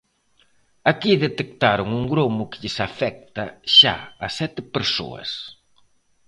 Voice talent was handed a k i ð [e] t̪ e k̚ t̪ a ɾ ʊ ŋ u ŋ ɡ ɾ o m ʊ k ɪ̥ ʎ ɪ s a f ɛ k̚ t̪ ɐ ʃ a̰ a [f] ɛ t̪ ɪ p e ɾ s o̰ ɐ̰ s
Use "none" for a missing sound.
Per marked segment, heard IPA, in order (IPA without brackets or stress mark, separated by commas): e, s